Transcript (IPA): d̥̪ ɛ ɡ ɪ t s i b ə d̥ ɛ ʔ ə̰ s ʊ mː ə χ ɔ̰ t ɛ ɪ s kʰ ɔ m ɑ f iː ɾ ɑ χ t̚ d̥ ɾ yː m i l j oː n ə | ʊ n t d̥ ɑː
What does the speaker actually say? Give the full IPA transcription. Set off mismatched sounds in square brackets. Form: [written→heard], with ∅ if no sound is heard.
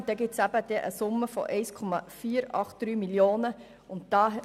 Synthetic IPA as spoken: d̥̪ ɛ ɡ ɪ t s [i→æ] b ə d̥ ɛ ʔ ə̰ s ʊ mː ə [χ→f] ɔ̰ [t→ʔ] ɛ ɪ s kʰ ɔ m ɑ f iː ɾ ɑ χ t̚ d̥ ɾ yː m i l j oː n ə | ʊ n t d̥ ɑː

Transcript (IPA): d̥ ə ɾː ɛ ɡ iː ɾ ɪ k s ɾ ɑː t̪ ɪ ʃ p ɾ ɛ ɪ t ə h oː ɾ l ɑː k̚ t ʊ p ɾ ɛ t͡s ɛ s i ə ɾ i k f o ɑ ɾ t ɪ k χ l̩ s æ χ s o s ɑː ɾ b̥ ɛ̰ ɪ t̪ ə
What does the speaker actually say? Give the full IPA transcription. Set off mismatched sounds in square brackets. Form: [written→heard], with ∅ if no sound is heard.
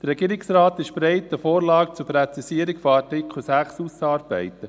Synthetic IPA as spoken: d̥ ə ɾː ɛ ɡ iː ɾ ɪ k s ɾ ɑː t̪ ɪ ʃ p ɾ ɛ ɪ t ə [h→f] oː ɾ l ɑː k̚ [t→t͡s] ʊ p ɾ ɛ t͡s [ɛ→i] s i ə ɾ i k f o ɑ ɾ t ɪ k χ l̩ s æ χ s [o→u] s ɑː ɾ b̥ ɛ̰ ɪ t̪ ə

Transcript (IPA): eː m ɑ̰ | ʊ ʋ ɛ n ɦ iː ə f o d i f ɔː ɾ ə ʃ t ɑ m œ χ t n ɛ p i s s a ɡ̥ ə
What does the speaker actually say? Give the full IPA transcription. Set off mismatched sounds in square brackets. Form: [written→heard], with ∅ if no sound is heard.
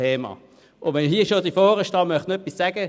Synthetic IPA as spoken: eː m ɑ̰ | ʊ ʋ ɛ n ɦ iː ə [f→ʃ] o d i f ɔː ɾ ə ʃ t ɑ m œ χ t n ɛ p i s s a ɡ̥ ə

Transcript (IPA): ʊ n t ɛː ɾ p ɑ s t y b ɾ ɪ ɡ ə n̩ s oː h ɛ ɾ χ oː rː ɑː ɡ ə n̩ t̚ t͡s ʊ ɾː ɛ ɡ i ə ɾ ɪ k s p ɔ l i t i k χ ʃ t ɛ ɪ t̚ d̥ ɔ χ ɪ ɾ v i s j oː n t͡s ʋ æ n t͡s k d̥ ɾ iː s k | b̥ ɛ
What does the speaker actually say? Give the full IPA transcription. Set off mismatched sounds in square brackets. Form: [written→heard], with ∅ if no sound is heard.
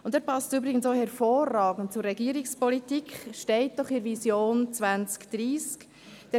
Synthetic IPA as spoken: ʊ n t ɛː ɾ p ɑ s t y b ɾ ɪ ɡ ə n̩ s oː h ɛ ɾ [χ→f] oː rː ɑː ɡ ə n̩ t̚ t͡s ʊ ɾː ɛ ɡ i ə ɾ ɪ k s p ɔ l i t i k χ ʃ t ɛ ɪ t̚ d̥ ɔ χ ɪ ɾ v i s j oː n t͡s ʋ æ n t͡s k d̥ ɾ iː s k | [b̥→d̥] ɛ

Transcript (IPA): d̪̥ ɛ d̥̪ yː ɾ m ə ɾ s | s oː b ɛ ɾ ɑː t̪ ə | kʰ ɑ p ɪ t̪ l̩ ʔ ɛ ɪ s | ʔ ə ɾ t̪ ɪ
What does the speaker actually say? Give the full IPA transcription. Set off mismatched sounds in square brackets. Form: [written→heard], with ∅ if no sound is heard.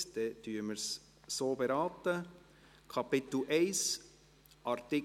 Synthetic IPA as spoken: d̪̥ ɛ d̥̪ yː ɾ m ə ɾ s | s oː b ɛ ɾ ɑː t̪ ə | kʰ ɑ p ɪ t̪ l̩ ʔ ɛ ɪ s | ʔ [ə→ɑ] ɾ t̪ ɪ

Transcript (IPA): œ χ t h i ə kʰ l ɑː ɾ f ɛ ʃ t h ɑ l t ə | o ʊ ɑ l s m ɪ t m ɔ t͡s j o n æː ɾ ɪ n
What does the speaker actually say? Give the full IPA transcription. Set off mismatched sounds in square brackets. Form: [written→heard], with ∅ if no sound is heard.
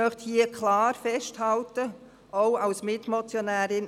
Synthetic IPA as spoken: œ χ t h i ə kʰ l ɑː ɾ f ɛ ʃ t h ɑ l t ə | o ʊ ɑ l s m ɪ t m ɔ t͡s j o n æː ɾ ɪ n

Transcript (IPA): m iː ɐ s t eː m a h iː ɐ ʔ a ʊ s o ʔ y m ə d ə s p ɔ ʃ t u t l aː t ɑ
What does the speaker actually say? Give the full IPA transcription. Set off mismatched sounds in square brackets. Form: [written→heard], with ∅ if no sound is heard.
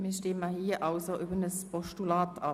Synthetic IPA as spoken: m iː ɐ [s→ʃ] t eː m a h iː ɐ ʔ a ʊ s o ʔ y [m→b] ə [d→n] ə s p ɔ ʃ t u [t→∅] l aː t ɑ

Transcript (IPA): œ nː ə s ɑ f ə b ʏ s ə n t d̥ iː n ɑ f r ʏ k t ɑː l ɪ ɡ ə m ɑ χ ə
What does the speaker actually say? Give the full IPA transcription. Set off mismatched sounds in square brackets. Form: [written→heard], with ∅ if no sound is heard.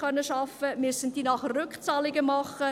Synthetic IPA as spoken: œ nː ə [s→ʃ] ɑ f ə [b→m] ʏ s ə n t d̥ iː n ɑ [f→χ] r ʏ k [t→t͡s] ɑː l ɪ ɡ ə m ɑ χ ə

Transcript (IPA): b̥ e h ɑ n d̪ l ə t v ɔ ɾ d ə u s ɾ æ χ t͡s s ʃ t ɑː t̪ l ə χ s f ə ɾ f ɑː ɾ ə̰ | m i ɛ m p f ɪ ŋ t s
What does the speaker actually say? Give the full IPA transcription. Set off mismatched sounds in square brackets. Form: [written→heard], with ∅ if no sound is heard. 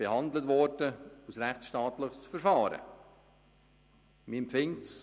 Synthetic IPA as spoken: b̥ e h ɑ n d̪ l ə t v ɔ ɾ d ə u s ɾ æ χ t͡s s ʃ t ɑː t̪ l ə χ s f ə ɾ f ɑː ɾ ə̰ | m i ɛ m p f ɪ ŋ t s

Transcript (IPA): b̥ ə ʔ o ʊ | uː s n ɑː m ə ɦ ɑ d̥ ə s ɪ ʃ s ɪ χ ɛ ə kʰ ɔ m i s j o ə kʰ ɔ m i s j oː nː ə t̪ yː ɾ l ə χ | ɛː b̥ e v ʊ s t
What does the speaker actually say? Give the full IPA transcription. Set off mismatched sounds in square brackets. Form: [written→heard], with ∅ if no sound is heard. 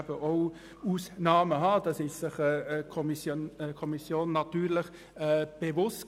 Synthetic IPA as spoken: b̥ ə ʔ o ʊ | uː s n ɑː m ə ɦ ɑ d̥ [ə→ɑ] s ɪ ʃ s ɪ χ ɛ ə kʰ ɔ m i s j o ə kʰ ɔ m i s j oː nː [ə→ɑ] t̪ yː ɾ l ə χ | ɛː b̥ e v ʊ s t

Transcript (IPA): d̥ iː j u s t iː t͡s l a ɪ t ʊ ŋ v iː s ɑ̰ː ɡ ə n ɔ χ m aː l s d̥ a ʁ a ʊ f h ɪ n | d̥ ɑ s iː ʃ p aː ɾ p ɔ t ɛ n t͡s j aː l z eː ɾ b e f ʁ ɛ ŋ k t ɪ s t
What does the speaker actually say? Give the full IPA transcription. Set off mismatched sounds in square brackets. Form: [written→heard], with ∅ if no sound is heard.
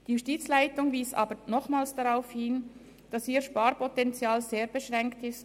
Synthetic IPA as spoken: d̥ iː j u s t iː t͡s l a ɪ t ʊ ŋ v iː s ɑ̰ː [ɡ→b] ə n ɔ χ m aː l s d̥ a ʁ a ʊ f h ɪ n | d̥ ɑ s iː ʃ p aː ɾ p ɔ t ɛ n t͡s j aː l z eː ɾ b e [f→ʃ] ʁ ɛ ŋ k t ɪ s t

